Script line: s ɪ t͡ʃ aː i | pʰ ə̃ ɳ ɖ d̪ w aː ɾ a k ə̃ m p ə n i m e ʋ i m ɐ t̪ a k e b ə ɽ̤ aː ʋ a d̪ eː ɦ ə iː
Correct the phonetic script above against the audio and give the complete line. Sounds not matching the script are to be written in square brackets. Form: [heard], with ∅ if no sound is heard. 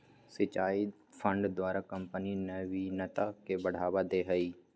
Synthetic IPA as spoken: s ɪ t͡ʃ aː i | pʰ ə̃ ɳ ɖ d̪ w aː ɾ a k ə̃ m p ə n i [n] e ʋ i [n] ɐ t̪ a k e b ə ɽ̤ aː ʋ a d̪ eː ɦ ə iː